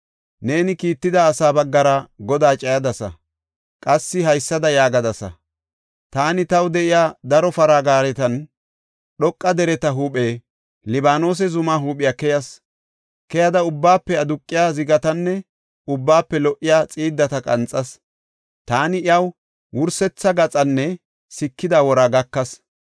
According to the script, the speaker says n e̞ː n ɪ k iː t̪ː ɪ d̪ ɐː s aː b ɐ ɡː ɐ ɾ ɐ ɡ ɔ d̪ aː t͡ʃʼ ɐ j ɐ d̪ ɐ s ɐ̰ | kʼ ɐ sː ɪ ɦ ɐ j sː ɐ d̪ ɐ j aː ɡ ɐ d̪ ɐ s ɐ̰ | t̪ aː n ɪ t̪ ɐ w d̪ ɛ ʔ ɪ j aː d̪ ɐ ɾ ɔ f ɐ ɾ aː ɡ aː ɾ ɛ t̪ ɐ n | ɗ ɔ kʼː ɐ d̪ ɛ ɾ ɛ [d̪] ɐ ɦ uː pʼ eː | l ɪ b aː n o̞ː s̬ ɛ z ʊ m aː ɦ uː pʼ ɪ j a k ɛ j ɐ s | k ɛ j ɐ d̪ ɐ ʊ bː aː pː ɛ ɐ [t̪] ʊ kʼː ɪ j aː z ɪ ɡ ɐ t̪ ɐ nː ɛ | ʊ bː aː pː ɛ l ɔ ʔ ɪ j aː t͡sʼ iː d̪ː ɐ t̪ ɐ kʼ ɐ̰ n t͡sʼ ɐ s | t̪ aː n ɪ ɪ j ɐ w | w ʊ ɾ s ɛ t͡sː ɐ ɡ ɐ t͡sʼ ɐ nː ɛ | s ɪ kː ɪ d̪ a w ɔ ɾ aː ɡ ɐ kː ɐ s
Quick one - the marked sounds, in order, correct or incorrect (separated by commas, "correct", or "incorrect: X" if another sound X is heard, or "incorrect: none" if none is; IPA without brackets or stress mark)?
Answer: incorrect: t̪, incorrect: d̪